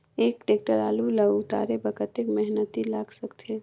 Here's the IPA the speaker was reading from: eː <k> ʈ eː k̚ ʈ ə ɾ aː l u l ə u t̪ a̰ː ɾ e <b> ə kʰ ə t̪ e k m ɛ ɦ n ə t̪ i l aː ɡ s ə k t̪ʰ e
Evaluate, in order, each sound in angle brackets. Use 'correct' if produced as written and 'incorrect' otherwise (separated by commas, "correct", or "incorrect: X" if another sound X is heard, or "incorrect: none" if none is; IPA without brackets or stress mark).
correct, correct